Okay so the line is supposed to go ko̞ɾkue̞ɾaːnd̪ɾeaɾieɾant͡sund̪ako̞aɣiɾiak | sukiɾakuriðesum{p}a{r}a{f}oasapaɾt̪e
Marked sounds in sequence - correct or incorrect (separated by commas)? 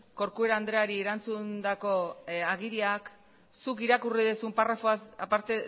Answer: correct, correct, correct